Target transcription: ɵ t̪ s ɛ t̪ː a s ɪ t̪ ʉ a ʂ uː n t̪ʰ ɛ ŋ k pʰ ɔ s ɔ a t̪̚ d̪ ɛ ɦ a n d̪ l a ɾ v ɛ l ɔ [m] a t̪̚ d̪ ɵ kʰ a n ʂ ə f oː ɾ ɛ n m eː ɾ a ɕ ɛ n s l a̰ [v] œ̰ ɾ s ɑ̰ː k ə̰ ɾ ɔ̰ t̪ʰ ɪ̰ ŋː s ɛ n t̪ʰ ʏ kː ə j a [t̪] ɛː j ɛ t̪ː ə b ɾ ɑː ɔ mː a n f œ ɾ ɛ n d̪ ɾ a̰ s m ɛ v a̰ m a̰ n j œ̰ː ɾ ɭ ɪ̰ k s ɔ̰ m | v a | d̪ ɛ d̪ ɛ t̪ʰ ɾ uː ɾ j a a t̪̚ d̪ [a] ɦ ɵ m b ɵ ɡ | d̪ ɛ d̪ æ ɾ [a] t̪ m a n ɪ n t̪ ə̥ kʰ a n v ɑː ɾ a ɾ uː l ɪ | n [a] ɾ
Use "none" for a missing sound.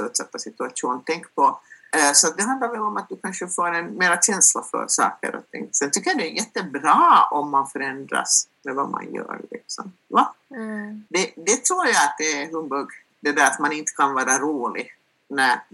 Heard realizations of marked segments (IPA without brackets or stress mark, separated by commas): m, f, d̪, ɛ, a, æ